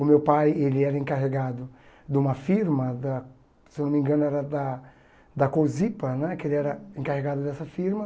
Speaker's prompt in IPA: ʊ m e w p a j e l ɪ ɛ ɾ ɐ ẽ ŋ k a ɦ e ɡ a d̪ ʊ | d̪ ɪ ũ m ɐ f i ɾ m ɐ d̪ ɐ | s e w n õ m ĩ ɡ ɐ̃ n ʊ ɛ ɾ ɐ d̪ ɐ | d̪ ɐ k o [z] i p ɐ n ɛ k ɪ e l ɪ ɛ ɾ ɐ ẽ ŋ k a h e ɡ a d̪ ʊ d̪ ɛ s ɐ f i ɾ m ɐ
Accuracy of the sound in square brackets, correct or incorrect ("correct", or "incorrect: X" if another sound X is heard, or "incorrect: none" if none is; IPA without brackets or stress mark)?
correct